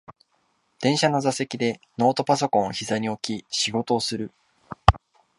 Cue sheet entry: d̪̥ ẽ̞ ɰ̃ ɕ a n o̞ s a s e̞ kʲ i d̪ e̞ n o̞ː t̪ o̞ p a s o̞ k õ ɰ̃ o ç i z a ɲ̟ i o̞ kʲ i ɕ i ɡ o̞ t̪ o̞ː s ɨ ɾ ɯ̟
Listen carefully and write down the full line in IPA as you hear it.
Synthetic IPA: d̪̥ ẽ̞ ɰ̃ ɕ a n o̞ z a s e̞ kʲ i d̪ e̞ n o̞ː t̪ o̞ p a s o̞ k õ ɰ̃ o ç i z a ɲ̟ i o̞ kʲ i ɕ i ɡ o̞ t̪ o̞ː s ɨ ɾ ɯ̟